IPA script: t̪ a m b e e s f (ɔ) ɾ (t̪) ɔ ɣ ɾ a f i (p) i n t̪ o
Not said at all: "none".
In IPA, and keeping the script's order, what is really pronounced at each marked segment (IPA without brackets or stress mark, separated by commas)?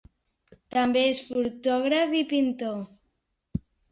u, t̪, p